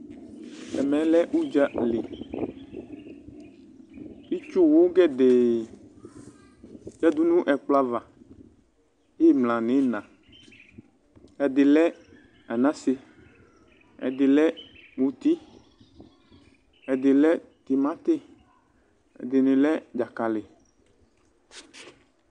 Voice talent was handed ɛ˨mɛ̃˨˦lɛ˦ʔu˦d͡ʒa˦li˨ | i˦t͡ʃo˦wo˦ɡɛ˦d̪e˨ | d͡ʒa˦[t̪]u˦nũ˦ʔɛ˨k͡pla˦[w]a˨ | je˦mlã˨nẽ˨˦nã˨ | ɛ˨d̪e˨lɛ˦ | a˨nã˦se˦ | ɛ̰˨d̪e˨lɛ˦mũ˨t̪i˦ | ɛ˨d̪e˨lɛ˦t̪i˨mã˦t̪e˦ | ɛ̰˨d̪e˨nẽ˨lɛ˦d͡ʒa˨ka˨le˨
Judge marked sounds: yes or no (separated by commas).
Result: no, no